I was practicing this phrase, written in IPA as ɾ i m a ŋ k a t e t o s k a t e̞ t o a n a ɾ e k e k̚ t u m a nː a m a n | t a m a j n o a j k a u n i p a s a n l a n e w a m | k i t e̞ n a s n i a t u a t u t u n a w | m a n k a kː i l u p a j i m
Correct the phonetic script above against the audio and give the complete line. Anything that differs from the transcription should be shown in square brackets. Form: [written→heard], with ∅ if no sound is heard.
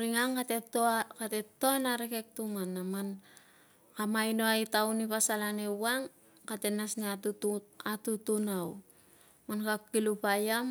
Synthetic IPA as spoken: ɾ i [m→ŋ] a ŋ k a t e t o [s→∅] k a t e̞ t o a n a ɾ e k e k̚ t u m a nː a m a n | [t→k] a m a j n o a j [k→t] a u n i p a s a [n→∅] l a n e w a [m→ŋ] | k [i→a] t e̞ n a s n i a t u a t u t u n a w | m a n k a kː i l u p a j [i→a] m